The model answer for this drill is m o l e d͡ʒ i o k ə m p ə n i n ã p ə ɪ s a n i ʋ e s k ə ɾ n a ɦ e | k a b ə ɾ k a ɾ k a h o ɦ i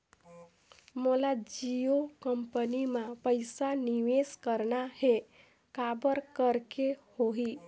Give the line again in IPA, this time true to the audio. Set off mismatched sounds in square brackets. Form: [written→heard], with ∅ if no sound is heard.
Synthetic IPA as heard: m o l [e→a] d͡ʒ i o k ə m p ə n i [n→m] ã p ə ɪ s a n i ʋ e s k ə ɾ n a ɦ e | k a b ə ɾ k [a→ə] ɾ k [a→e] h o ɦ i